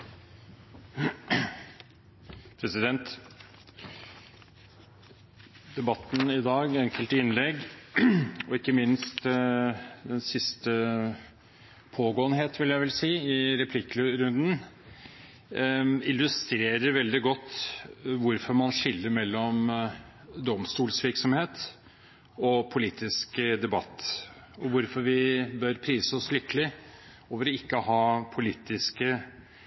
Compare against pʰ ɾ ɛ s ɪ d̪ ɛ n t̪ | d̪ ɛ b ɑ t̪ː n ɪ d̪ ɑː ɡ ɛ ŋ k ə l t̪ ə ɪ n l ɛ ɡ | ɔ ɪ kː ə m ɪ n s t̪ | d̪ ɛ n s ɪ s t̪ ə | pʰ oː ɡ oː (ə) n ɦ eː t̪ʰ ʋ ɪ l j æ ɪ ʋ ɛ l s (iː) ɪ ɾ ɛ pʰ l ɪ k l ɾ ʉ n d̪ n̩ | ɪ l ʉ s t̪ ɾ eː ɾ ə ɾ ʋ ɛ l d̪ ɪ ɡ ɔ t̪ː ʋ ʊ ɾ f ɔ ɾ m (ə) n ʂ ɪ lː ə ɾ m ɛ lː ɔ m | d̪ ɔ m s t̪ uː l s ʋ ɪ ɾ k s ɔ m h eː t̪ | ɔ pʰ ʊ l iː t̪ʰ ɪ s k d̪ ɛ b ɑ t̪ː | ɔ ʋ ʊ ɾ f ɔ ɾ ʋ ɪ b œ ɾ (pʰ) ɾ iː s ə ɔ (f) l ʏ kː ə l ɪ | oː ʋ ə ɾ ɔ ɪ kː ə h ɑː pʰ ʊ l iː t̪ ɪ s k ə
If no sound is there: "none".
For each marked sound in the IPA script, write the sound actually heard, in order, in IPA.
ə, iː, ɑ, pʰ, s

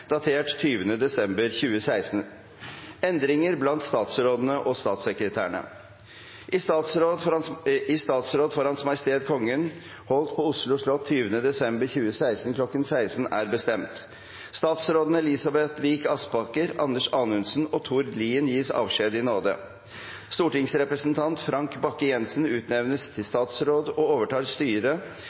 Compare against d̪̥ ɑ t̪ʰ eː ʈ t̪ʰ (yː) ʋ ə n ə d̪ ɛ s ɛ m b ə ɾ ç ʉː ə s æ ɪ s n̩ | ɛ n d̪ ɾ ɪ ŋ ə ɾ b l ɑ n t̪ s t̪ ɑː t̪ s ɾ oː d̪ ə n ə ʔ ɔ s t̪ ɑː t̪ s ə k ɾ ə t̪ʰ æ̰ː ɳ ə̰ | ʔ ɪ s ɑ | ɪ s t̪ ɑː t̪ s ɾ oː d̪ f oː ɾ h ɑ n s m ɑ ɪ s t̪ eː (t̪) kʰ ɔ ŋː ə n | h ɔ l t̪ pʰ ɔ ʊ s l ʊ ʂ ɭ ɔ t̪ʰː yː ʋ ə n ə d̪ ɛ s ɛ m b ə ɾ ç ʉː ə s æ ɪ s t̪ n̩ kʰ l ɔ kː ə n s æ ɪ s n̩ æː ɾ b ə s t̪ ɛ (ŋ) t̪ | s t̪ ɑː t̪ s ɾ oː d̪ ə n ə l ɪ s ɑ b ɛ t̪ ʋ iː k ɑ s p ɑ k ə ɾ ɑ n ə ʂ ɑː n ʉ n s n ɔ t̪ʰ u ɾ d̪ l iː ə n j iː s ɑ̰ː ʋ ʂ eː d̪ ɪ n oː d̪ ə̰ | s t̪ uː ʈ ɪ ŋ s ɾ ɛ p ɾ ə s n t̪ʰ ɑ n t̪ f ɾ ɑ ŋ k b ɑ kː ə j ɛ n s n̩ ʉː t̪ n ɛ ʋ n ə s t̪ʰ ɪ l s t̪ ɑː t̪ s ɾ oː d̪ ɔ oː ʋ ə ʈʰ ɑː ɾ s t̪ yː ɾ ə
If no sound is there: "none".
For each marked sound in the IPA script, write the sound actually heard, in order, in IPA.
yː, d̪, m

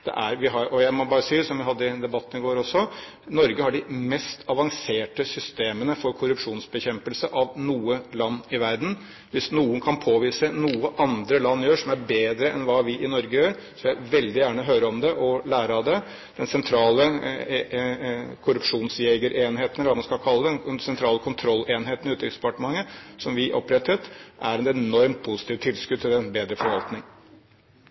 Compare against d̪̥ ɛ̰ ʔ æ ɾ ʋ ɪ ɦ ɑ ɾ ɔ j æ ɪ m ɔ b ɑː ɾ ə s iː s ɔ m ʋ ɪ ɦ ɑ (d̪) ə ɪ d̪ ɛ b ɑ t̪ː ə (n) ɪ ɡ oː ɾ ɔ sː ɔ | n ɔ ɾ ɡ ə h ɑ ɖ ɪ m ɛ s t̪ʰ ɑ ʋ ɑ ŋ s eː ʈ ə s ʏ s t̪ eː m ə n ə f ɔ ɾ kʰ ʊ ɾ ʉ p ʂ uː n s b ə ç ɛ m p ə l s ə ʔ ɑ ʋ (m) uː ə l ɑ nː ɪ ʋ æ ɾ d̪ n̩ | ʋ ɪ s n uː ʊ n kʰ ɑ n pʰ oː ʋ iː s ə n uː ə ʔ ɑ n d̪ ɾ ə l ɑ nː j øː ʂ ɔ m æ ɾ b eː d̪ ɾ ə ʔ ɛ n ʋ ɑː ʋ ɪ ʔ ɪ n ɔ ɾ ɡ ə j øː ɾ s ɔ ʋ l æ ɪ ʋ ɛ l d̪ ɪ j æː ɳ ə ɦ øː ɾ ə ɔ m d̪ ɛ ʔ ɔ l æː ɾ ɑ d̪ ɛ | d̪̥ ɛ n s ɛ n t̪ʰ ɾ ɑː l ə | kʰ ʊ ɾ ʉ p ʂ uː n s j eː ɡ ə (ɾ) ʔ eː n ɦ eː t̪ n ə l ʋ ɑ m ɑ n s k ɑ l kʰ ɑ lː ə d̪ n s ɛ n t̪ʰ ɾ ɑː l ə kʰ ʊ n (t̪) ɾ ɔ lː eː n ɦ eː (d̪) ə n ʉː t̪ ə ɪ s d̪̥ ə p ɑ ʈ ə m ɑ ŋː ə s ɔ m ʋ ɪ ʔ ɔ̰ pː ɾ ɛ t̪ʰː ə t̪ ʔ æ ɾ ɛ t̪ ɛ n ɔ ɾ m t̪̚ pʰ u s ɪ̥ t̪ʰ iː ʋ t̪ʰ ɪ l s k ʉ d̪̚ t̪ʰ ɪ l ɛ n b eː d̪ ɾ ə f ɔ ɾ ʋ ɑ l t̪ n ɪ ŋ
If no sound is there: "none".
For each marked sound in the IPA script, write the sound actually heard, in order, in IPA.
d̪ː, n, n, ɾ, t̪ʰ, t̪

